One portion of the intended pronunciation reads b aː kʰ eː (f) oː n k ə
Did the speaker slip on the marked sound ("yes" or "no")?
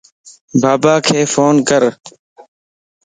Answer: no